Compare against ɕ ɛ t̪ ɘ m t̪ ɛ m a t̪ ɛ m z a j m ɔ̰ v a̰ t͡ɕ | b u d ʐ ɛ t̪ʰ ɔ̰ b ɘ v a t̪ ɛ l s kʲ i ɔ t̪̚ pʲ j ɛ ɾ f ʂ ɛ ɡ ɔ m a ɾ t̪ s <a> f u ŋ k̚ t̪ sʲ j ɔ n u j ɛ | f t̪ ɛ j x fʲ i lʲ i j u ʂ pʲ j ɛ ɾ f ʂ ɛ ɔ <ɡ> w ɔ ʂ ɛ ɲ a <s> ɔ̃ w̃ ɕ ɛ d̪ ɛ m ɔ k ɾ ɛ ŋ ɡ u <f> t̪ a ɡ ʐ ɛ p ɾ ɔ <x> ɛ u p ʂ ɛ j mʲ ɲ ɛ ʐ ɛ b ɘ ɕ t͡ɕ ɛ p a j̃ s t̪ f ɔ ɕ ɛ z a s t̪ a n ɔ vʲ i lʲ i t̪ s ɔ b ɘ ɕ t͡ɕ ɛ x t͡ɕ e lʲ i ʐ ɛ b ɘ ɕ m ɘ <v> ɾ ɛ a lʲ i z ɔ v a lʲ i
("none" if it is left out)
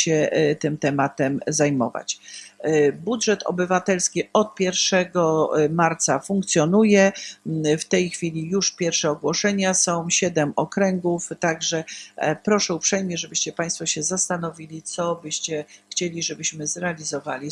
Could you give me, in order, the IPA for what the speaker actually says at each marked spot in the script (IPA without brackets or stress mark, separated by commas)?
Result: a, ɡ, s, f, ʂ, z